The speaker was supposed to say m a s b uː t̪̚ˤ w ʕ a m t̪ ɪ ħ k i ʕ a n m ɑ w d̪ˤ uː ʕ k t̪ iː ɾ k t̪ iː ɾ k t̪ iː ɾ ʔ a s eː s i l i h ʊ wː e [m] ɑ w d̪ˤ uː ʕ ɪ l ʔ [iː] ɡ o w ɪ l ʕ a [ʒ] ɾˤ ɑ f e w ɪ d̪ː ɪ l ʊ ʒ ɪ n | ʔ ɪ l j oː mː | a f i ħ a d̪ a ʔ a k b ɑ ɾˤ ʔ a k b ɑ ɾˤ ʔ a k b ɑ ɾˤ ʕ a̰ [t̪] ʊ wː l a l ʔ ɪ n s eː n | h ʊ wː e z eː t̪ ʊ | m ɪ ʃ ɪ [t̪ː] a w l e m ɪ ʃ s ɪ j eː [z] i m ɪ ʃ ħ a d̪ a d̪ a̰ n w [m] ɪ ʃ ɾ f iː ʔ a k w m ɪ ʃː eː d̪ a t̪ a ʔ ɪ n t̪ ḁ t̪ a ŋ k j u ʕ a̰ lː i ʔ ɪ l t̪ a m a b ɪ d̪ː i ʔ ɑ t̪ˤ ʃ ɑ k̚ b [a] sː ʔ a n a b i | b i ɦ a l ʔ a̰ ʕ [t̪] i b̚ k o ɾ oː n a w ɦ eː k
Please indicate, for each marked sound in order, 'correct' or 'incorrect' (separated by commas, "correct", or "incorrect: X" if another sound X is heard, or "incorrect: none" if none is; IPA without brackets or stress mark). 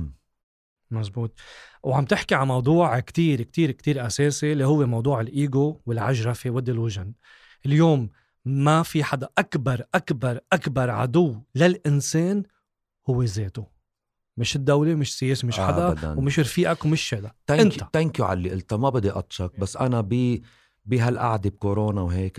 correct, correct, correct, incorrect: d̪, incorrect: d̪ː, incorrect: s, correct, correct, incorrect: d̪